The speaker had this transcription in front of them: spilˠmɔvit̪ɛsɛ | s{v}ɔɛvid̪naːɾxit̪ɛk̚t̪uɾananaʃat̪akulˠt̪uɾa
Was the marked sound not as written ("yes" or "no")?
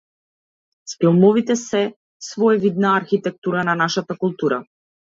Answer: no